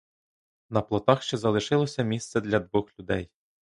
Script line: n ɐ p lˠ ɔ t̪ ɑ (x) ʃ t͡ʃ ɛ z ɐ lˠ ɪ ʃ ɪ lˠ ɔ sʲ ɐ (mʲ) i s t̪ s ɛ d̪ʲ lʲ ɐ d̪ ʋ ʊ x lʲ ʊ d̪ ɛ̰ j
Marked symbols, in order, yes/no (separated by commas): yes, yes